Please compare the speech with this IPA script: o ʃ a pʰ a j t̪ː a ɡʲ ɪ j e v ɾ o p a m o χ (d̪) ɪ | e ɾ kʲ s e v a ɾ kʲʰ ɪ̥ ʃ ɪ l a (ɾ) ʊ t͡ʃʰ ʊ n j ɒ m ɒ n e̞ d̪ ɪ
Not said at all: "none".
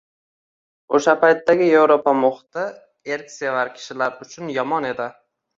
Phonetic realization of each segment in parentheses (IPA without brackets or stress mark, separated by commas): t̪, ɾ